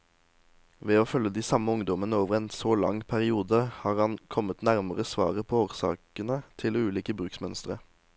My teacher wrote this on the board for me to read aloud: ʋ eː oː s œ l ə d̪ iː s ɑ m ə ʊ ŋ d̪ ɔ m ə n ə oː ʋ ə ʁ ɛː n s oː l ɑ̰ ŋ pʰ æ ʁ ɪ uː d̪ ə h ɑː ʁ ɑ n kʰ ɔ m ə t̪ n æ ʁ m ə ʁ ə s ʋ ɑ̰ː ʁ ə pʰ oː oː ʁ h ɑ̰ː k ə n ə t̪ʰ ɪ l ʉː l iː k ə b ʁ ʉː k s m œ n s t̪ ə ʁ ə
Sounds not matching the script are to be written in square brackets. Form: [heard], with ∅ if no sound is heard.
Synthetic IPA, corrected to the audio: ʋ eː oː [f] œ l ə d̪ iː s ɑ m ə ʊ ŋ d̪ ɔ m ə n ə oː ʋ ə ʁ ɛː n s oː l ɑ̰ ŋ pʰ æ ʁ ɪ uː d̪ ə h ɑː ʁ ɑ n kʰ ɔ m ə t̪ n æ ʁ m ə ʁ ə s ʋ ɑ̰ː ʁ ə pʰ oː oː ʁ [s] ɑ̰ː k ə n ə t̪ʰ ɪ l ʉː l iː k ə b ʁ ʉː k s m œ n s t̪ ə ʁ ə